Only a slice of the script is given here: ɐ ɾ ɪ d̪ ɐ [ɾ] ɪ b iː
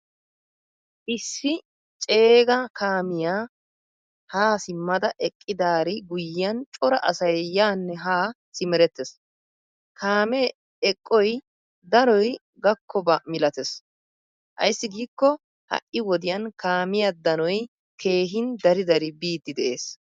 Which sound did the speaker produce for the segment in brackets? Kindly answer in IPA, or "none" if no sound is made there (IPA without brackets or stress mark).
ɾ